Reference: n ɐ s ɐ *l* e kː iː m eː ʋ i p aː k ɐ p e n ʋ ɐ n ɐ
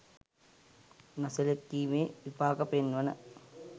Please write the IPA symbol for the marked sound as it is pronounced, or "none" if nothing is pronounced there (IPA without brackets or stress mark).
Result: l